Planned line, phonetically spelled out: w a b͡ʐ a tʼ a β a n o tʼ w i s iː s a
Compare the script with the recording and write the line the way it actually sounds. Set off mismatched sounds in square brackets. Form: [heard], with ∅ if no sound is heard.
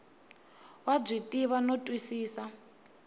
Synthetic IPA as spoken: w a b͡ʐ [i] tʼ [i] β a n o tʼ w i s iː s a